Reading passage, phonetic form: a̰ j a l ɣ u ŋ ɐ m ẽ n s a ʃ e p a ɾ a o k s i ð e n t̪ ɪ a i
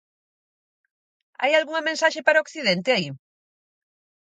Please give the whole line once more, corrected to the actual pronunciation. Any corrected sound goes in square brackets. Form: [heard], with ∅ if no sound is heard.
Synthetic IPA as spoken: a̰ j a l ɣ u ŋ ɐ m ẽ n s a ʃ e p a ɾ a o k [θ] i ð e n t̪ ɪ a i